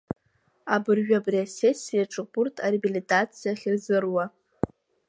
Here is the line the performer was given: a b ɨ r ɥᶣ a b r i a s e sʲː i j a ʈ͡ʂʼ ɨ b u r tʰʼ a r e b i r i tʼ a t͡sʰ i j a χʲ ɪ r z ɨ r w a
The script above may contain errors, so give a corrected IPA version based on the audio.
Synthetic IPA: a b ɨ r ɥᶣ a b r i a s e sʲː i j a ʈ͡ʂʼ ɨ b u r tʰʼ a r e b i l i tʼ a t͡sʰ i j a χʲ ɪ r z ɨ r w a